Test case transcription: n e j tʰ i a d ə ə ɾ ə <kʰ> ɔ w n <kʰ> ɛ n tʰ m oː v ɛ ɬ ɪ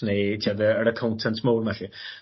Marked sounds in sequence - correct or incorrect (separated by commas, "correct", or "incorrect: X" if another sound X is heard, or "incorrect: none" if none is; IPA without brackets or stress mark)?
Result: correct, incorrect: tʰ